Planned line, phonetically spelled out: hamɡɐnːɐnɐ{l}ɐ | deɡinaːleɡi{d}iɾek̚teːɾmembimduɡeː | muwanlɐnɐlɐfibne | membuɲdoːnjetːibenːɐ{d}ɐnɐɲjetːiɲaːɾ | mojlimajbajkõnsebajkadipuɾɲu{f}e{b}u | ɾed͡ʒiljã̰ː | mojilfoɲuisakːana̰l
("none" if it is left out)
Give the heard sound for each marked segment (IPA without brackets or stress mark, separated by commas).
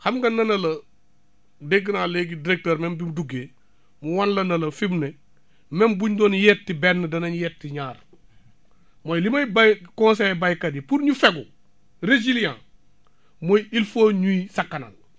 l, d, d, f, ɡ